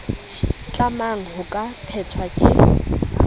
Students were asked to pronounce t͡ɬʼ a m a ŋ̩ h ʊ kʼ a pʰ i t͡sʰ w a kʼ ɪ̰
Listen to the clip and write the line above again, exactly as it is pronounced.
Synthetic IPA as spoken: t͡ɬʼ a m a ŋ̩ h ʊ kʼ a pʰ ɛ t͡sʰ w a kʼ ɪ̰